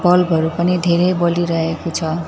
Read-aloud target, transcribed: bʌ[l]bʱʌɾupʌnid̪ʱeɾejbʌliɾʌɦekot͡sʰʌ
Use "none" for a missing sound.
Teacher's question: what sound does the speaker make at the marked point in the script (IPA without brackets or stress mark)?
l